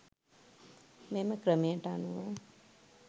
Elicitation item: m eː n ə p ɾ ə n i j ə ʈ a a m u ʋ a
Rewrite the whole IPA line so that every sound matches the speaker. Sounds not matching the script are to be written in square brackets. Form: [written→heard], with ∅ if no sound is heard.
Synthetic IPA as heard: m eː [n→m] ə [p→k] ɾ ə [n→m] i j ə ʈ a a [m→n] u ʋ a